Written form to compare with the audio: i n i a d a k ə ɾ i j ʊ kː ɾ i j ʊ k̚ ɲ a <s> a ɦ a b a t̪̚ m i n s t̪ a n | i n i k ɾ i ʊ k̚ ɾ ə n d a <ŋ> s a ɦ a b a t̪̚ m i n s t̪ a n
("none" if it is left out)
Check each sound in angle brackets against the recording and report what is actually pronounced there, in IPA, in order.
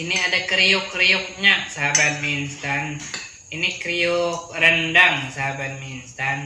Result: s, ŋ

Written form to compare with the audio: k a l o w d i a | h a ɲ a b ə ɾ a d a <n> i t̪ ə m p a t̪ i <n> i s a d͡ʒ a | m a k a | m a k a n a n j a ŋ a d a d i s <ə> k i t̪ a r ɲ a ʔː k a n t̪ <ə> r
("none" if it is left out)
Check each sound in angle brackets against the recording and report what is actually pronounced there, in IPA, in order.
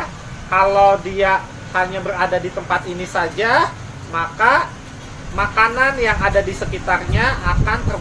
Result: d, n, ə, ə

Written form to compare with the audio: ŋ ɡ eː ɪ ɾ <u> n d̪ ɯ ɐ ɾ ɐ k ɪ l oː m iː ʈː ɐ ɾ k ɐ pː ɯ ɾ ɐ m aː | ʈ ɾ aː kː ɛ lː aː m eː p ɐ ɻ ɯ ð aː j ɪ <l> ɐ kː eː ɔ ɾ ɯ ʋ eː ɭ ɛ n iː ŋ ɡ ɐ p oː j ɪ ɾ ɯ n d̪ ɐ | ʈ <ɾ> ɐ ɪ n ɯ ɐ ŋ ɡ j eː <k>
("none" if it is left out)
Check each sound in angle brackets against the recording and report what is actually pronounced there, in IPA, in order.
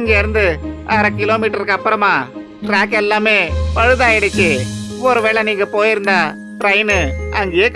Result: ɯ, ɽ, ɾ, k

